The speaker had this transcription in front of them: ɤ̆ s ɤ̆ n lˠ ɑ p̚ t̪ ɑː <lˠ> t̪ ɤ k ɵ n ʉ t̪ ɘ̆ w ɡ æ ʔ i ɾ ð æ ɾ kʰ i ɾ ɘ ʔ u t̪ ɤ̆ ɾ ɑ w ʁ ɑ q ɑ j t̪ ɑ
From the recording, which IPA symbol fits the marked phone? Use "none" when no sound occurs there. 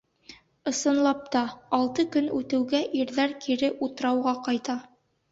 lˠ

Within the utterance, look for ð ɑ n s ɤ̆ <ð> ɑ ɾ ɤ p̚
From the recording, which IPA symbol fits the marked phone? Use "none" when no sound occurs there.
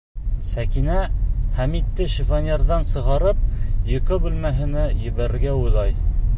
ʁ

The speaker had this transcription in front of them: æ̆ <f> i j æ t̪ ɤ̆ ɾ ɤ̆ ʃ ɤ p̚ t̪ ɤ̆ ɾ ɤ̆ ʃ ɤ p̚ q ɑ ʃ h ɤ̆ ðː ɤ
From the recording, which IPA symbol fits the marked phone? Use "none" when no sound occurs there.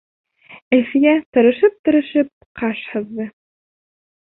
f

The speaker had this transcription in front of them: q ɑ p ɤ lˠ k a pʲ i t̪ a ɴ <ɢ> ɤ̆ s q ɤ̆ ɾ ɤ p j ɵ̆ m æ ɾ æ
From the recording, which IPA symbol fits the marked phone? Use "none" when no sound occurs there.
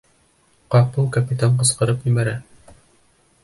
q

